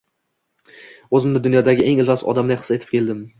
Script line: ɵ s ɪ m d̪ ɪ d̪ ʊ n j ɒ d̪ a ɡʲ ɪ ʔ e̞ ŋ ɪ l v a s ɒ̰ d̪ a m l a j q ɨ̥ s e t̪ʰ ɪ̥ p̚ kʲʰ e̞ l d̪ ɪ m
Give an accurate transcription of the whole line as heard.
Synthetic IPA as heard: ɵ z ɪ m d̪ ɪ d̪ ʊ n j ɒ d̪ a ɡʲ ɪ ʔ e̞ ŋ ɪ l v a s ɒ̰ d̪ a m l a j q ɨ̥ s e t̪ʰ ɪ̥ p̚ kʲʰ e̞ l d̪ ɪ m